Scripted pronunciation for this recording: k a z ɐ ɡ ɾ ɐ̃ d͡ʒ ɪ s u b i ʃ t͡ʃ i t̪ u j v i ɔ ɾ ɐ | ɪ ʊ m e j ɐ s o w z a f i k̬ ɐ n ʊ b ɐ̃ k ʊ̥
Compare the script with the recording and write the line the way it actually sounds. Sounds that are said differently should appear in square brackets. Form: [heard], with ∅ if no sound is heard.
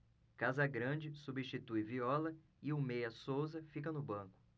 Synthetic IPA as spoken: k a z ɐ ɡ ɾ ɐ̃ d͡ʒ ɪ s u b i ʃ t͡ʃ i t̪ u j v i ɔ [l] ɐ | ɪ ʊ m e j ɐ s o w z [ɐ] f i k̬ ɐ n ʊ b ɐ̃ k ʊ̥